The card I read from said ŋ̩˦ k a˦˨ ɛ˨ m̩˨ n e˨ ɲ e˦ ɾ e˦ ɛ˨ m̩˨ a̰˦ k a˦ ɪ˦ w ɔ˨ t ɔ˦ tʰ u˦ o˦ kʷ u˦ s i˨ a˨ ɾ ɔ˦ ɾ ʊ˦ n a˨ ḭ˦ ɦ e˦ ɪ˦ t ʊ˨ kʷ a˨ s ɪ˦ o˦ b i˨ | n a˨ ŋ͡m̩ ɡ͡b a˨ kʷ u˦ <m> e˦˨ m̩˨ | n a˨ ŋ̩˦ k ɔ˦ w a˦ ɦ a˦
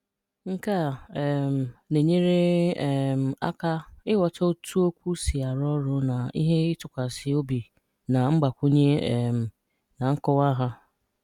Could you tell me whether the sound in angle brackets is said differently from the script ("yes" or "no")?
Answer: yes